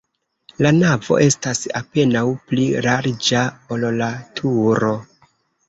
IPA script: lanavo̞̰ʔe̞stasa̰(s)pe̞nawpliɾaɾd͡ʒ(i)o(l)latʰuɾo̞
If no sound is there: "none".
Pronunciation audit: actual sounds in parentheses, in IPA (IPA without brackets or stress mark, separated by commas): none, a, l